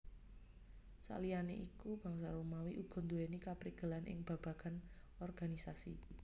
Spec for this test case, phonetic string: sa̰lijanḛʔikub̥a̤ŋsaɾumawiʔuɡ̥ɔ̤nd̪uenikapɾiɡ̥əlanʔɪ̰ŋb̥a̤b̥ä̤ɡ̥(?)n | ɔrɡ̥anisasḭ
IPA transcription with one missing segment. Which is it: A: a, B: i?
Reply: A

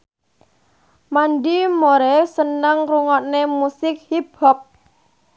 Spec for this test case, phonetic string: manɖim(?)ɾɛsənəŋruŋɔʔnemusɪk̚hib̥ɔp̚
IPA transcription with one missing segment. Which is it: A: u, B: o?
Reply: B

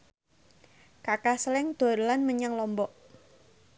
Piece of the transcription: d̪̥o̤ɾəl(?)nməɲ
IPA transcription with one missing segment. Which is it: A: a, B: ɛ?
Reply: A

